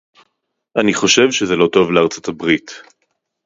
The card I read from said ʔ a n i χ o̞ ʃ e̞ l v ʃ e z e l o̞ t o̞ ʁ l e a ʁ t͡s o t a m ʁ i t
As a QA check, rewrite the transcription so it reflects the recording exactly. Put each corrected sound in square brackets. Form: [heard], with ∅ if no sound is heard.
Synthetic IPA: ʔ a n i χ o̞ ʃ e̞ [∅] v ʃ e z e l o̞ t o̞ [v] l e a ʁ t͡s o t a [b] ʁ i t